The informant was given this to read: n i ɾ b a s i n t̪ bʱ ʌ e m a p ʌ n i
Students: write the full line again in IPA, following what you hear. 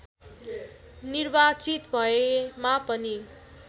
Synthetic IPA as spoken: n i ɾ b a t͡s i t̪ bʱ ʌ e m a p ʌ n i